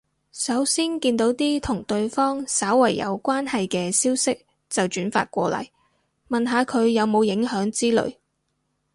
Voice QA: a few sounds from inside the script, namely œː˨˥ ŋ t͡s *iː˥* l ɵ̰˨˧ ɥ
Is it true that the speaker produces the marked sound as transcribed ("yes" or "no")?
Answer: yes